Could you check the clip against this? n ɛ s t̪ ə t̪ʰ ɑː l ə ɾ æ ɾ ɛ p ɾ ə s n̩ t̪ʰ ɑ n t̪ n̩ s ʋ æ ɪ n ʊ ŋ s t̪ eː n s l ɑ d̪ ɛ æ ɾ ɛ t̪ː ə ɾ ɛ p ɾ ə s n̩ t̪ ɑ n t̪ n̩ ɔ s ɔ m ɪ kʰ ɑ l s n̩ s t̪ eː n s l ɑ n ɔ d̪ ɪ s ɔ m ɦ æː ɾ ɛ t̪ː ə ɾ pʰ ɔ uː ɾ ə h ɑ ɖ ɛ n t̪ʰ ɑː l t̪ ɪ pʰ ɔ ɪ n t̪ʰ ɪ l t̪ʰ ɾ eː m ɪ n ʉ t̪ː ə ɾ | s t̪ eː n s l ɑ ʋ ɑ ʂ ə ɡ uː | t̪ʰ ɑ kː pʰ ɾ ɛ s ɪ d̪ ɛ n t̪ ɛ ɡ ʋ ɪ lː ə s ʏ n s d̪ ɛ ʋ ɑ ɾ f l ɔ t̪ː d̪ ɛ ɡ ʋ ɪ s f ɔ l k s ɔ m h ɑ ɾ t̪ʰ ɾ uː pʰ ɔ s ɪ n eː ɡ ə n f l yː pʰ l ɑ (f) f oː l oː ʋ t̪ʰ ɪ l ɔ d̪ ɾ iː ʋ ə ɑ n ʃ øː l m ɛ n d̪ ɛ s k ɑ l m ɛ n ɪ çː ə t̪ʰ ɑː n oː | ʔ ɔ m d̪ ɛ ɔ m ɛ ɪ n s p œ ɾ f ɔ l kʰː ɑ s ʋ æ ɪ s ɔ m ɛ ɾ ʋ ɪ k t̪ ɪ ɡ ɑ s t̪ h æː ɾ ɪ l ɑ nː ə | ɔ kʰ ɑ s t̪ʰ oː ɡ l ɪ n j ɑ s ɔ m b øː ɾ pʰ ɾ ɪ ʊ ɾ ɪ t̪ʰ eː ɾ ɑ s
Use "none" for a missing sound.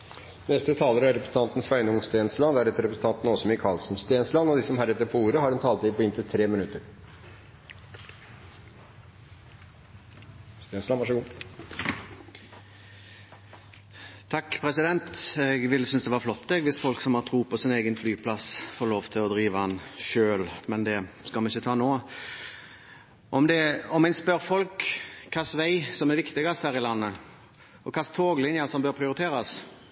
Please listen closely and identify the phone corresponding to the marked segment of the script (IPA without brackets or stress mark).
s